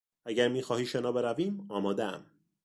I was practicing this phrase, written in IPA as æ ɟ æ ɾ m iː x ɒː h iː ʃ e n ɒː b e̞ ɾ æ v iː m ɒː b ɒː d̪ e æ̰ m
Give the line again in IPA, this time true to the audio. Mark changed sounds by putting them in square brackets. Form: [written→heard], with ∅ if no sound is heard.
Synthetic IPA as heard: æ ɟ æ ɾ m iː x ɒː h iː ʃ e n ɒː b e̞ ɾ æ v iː m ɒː [b→m] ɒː d̪ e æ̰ m